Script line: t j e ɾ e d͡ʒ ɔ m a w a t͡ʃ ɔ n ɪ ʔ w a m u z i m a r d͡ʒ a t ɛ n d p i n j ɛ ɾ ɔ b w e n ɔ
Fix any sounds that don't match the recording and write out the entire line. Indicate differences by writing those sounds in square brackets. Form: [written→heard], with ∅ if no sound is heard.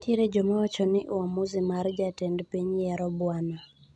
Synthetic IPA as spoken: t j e ɾ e d͡ʒ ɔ m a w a t͡ʃ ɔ n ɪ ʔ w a m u z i m a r d͡ʒ a t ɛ n d p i [n→ɲ] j ɛ ɾ ɔ b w [e→a] n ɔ